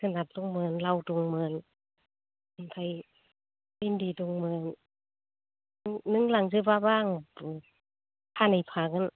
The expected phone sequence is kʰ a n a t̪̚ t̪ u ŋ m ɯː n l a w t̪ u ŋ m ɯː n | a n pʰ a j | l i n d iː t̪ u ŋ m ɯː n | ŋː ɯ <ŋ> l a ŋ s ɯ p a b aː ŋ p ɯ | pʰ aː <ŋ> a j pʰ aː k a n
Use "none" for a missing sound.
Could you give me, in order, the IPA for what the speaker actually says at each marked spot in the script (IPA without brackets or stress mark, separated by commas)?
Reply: ŋ, n